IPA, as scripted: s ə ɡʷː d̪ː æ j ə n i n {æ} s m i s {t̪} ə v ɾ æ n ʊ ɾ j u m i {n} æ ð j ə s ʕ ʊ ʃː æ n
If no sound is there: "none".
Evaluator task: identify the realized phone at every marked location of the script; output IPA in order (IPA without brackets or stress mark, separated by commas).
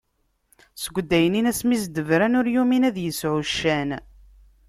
æ, d̪, n